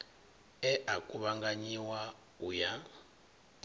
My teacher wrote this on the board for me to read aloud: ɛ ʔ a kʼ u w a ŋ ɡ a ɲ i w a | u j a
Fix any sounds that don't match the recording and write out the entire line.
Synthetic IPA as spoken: ɛ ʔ a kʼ u β a ŋ ɡ a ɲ i w a | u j a